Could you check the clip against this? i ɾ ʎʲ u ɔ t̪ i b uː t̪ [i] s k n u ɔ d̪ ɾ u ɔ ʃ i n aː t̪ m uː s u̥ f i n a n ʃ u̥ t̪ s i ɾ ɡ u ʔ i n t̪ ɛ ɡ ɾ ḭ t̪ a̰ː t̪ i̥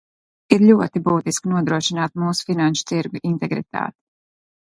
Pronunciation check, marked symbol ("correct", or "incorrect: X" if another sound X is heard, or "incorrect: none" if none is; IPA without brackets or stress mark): correct